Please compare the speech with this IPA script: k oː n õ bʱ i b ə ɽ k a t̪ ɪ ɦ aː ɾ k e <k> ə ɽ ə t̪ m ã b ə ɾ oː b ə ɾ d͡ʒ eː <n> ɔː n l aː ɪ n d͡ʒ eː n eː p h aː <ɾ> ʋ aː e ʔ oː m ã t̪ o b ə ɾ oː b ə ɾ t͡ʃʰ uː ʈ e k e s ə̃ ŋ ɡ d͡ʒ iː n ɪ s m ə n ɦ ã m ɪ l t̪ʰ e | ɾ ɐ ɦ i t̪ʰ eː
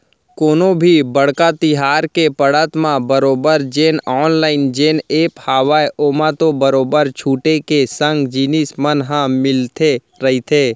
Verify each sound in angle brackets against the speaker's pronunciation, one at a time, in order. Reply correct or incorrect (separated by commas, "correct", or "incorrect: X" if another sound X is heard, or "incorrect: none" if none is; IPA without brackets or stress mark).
incorrect: p, correct, incorrect: none